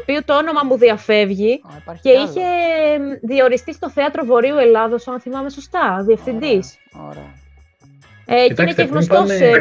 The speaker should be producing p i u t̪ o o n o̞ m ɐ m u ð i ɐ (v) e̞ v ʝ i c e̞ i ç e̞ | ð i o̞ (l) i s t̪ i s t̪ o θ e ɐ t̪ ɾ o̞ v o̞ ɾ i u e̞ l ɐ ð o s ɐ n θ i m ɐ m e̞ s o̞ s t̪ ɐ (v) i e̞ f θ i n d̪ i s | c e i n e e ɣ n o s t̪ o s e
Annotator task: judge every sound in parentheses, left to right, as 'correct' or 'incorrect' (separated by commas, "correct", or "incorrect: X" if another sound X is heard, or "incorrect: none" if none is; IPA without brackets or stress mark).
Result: incorrect: f, incorrect: ɾ, incorrect: ð